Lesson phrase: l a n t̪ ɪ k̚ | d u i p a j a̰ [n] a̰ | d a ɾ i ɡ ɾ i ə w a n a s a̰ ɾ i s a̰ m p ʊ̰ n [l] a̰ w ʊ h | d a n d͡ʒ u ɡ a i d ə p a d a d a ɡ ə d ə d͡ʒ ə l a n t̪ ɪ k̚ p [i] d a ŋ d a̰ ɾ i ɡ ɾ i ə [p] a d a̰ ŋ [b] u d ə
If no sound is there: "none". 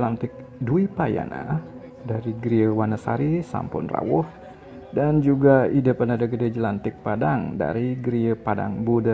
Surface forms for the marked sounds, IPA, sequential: n, r, a, p, b

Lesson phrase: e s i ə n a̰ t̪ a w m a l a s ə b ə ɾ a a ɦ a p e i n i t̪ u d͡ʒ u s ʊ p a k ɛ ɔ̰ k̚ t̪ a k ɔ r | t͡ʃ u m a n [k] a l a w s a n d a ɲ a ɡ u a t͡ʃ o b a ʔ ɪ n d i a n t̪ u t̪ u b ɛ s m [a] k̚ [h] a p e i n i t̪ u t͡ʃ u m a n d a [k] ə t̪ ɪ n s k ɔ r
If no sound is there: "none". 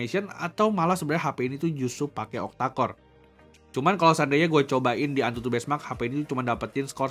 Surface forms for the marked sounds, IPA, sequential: k, a, h, p

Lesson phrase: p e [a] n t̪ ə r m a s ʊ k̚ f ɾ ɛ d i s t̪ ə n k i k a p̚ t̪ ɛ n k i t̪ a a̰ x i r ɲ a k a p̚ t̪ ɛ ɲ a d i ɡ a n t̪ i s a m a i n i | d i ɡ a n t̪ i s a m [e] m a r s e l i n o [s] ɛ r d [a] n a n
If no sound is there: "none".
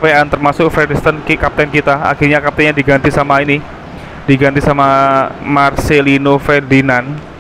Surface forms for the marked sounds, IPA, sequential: a, a, f, i

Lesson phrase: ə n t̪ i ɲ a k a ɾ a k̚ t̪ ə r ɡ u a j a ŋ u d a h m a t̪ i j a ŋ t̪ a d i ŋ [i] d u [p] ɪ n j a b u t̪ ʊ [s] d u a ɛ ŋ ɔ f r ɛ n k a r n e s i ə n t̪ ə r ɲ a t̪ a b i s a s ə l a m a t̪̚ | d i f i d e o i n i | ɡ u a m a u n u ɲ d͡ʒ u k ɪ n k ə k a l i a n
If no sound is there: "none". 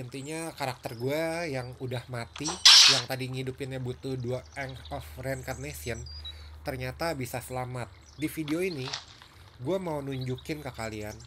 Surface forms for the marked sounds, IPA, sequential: i, p, h

